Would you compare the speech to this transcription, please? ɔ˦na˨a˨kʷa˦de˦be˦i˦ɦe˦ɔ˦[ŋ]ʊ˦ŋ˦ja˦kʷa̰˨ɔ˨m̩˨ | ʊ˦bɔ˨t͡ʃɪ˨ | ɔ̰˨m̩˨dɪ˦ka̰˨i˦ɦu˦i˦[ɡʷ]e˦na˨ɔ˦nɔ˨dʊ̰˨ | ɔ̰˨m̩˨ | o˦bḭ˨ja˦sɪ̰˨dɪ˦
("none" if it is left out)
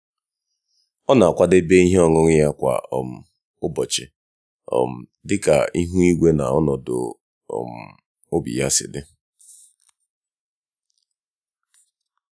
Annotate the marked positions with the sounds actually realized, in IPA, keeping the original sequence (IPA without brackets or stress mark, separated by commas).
ŋ, ɡʷ